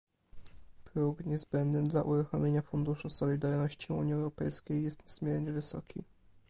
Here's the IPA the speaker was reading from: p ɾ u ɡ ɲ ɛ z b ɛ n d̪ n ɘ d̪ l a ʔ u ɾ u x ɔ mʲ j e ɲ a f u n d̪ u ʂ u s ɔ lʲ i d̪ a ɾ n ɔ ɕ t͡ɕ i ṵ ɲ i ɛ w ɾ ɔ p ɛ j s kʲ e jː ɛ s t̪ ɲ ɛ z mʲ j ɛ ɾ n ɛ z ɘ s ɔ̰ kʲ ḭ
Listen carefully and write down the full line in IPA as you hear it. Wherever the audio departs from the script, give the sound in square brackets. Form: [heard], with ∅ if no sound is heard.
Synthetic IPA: p ɾ u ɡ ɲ ɛ z b ɛ n d̪ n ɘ d̪ l a ʔ u ɾ u x ɔ mʲ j e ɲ a f u n d̪ u ʂ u s ɔ lʲ i d̪ a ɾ n ɔ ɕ t͡ɕ i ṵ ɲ i ɛ w ɾ ɔ p ɛ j s kʲ e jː ɛ s t̪ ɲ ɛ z mʲ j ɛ ɾ [ɲ] ɛ [v] ɘ s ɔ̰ kʲ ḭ